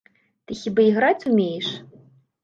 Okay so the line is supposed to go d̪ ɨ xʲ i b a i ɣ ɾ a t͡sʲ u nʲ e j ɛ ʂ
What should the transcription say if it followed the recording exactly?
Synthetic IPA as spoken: t̪ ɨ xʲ i b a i ɣ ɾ a t͡sʲ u mʲ e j ɛ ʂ